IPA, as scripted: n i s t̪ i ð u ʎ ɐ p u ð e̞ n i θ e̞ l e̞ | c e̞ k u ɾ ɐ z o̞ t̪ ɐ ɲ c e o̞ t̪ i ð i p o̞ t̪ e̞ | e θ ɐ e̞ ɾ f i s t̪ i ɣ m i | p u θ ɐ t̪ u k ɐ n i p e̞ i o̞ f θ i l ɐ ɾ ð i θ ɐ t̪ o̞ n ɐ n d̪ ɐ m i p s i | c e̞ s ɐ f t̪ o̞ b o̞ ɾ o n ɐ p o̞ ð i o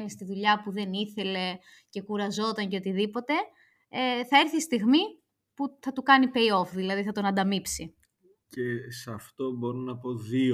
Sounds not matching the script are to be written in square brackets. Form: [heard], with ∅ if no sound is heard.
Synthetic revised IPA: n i s t̪ i ð u ʎ ɐ p u ð e̞ n i θ e̞ l e̞ | c e̞ k u ɾ ɐ z o̞ t̪ ɐ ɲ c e o̞ t̪ i ð i p o̞ t̪ e̞ | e θ ɐ e̞ ɾ [θ] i s t̪ i ɣ m i | p u θ ɐ t̪ u k ɐ n i p e̞ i o̞ f [ð] i l ɐ [∅] ð i θ ɐ t̪ o̞ n ɐ n d̪ ɐ m i p s i | c e̞ s ɐ f t̪ o̞ b o̞ ɾ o n ɐ p o̞ ð i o